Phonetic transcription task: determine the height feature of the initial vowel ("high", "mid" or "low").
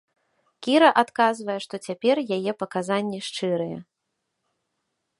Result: high